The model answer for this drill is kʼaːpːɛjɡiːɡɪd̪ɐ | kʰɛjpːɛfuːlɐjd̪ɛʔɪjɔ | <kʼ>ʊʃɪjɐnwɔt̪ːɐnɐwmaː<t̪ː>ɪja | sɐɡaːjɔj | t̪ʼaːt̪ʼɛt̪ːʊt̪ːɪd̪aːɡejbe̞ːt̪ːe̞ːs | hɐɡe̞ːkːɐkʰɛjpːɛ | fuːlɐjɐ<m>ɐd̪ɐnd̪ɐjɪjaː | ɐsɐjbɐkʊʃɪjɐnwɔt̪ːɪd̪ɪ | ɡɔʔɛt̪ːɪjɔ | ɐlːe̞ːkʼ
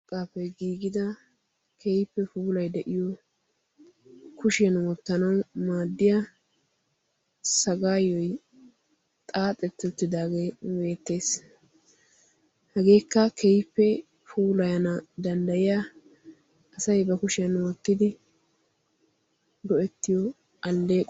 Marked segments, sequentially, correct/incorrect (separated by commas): incorrect, incorrect, incorrect